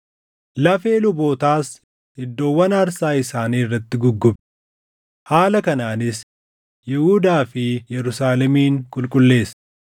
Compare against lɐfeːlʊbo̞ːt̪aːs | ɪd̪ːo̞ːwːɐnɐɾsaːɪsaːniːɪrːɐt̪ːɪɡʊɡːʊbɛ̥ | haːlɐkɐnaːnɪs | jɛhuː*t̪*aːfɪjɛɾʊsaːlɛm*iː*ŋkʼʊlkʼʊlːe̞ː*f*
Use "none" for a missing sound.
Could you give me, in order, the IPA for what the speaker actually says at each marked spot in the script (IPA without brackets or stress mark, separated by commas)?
d̪, iː, s